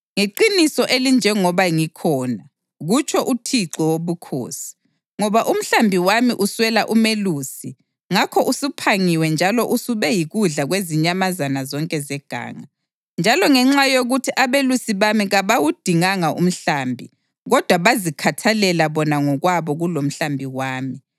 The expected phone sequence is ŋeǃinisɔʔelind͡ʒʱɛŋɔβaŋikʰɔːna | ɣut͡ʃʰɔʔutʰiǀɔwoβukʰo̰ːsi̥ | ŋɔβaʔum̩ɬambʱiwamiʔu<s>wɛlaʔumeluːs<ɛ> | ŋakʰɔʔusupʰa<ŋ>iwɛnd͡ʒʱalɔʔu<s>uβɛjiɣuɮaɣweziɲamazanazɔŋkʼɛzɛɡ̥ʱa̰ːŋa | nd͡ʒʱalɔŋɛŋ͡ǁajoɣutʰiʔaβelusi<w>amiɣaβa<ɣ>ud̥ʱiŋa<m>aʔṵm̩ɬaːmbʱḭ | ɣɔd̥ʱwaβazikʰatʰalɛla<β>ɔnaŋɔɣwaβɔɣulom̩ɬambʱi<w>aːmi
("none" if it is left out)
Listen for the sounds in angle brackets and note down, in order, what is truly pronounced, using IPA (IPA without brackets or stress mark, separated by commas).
s, i, ŋ, s, β, w, ŋ, β, w